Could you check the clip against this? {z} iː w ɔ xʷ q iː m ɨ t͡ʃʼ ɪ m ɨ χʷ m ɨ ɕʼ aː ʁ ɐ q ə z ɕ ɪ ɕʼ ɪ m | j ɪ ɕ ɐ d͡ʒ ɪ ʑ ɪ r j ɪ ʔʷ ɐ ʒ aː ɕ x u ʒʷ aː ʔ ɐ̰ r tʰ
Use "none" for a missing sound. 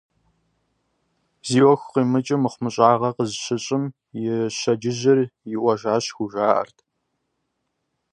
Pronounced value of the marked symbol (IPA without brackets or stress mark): z